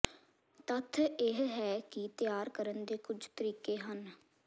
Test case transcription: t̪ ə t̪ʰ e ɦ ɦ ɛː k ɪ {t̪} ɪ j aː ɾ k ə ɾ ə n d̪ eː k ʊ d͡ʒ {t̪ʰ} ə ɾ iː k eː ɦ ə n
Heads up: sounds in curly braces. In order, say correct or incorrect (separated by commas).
correct, incorrect